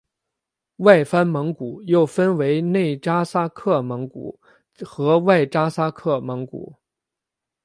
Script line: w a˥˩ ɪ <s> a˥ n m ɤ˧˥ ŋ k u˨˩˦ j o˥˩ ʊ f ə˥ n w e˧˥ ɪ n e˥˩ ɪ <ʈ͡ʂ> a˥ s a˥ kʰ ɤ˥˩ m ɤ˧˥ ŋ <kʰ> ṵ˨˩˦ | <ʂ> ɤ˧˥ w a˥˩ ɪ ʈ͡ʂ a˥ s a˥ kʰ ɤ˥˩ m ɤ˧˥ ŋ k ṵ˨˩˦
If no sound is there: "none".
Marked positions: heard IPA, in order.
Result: f, ʈ͡ʂ, k, x

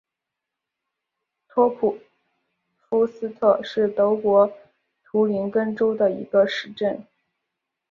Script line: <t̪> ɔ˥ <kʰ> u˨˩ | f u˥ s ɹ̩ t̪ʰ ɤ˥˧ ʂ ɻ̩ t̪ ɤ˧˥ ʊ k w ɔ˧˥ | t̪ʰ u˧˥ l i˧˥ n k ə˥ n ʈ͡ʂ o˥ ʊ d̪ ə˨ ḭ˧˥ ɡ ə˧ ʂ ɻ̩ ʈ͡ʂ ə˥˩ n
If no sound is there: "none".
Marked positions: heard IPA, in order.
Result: t̪ʰ, pʰ

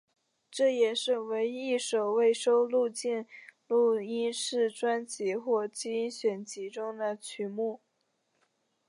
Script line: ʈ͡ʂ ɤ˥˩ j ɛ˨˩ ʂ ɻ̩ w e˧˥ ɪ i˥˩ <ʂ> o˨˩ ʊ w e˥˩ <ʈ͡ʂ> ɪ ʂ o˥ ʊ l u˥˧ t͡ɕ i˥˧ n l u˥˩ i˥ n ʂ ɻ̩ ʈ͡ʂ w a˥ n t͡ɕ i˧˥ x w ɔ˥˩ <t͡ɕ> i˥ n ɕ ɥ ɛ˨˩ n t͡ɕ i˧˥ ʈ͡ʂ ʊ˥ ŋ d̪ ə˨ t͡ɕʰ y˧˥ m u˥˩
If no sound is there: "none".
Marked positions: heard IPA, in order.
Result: ʂ, none, t͡ɕ

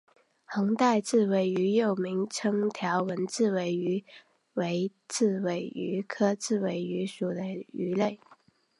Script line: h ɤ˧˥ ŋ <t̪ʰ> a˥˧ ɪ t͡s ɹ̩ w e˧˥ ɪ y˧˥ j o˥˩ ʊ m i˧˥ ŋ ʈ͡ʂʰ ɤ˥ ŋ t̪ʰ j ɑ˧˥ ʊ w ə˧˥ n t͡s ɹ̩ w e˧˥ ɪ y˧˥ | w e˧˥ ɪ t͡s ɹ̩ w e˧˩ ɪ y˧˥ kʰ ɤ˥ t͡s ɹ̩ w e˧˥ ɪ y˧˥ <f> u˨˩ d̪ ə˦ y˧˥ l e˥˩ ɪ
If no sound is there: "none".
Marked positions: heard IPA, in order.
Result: t̪, ʂ

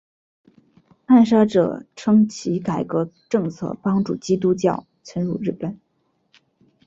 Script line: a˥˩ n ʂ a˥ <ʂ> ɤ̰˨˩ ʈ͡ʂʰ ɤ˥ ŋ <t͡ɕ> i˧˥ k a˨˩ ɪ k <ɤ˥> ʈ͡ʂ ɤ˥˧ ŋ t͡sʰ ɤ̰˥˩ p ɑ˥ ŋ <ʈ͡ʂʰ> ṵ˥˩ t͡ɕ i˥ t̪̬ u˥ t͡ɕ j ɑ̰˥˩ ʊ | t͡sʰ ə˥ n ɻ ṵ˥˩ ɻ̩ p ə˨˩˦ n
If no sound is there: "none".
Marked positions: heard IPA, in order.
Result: ʈ͡ʂ, t͡ɕʰ, ɤ˧˥, ʈ͡ʂ

